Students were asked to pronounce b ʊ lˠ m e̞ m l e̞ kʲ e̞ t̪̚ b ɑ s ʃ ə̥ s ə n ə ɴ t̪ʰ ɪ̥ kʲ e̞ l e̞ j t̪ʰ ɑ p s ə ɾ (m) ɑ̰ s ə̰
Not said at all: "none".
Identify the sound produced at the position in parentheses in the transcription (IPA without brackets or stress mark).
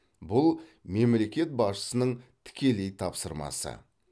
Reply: m